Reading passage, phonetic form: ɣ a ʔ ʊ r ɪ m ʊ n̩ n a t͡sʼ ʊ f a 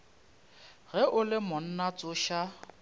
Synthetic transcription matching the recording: ɣ ɛ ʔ ʊ l ɪ m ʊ n̩ n a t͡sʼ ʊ ʃ a